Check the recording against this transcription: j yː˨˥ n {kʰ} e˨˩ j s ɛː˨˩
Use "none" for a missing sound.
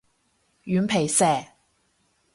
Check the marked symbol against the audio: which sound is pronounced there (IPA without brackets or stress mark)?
pʰ